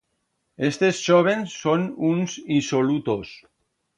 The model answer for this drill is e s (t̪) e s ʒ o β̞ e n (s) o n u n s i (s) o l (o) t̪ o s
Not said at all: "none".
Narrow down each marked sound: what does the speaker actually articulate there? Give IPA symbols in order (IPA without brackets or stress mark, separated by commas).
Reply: t̪, sː, s, u